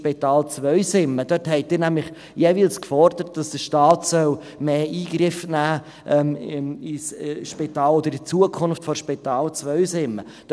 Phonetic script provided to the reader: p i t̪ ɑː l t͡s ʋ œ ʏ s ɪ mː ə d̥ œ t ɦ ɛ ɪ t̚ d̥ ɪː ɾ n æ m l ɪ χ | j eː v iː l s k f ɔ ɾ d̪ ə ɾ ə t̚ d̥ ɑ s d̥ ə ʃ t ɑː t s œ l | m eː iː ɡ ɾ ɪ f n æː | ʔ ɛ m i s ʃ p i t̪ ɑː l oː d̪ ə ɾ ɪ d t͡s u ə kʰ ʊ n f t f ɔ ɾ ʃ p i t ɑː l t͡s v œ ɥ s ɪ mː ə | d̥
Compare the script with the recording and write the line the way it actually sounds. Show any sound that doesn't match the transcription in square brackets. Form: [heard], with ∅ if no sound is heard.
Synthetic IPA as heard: p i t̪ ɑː l t͡s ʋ œ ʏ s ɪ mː ə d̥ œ t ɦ ɛ ɪ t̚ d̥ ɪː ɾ n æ m l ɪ χ | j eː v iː l s k f ɔ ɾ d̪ ə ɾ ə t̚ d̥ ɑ s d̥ ə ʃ t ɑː t s œ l | m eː iː ɡ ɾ ɪ f n æː | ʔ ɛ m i s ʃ p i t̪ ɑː l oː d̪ ə ɾ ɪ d t͡s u ə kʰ ʊ n f t f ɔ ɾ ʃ p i t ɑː l t͡s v œ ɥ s ɪ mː ə | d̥

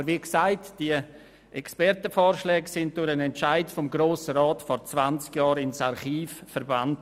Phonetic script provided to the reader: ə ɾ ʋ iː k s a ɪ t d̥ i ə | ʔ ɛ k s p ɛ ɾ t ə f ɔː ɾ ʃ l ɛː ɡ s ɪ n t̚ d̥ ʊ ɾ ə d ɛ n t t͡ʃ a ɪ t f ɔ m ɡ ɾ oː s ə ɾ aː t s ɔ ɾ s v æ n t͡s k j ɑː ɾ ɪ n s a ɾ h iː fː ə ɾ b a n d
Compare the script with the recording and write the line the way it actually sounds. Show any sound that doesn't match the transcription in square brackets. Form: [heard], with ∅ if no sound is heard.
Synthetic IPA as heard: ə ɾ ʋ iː k s a ɪ t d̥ i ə | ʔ ɛ k s p ɛ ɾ t ə f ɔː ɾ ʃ l ɛː ɡ s ɪ n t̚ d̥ ʊ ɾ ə [n] ɛ n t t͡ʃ a ɪ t f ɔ m ɡ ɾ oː s ə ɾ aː t [f] ɔ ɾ [t͡s] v [a] n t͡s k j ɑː ɾ ɪ n s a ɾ [χ] iː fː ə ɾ b a n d

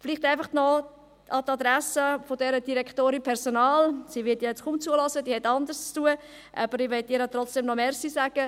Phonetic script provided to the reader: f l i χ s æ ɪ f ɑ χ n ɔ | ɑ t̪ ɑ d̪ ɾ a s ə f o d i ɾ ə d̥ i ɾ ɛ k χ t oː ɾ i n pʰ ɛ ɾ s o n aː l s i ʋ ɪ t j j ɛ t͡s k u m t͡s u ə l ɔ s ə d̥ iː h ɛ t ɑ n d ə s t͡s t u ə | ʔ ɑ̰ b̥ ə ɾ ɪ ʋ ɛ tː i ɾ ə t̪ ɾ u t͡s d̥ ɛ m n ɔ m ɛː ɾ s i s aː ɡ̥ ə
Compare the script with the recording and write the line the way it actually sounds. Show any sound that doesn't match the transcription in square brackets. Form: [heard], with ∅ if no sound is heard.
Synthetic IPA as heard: f l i χ [t] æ ɪ f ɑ χ n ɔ | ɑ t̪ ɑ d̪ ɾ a s ə f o d [ɛ] ɾ ə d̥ i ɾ ɛ k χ t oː ɾ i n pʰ ɛ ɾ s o n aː l s i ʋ ɪ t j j ɛ t͡s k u m t͡s u ə l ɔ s ə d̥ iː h ɛ t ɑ n d ə s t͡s t u ə | ʔ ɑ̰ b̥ ə ɾ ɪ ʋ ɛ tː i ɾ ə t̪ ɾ [ɔ] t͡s d̥ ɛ m n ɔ m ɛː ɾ s i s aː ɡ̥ ə

